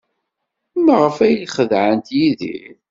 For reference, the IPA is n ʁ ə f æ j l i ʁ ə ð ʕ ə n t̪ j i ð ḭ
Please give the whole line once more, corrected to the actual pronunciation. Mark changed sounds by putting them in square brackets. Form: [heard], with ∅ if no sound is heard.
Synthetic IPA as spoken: [m] ʁ ə f æ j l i [χ] ə ð ʕ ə n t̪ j i ð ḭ

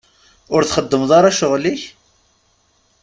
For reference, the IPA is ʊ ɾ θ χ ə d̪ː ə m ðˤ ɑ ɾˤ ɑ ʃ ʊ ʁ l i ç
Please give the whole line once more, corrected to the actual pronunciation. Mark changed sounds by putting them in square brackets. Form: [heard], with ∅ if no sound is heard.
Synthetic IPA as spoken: ʊ ɾ θ χ ə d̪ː ə m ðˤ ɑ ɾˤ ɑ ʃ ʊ ʁ l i ç

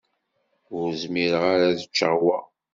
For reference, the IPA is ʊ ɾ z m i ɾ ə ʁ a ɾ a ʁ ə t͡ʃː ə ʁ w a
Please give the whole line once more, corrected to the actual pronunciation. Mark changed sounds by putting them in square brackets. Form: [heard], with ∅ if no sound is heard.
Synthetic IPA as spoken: ʊ ɾ z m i ɾ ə ʁ a ɾ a [ð] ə t͡ʃː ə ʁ w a

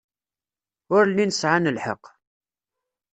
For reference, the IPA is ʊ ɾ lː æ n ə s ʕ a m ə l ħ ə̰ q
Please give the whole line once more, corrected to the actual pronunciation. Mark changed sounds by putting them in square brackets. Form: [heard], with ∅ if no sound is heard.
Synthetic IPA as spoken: ʊ ɾ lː [i] n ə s ʕ a [n] ə l ħ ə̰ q

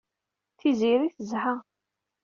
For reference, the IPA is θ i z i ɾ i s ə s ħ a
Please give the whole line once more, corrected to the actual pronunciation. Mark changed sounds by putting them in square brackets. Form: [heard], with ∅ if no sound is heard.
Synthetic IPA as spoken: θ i z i ɾ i [θ] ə [z] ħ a

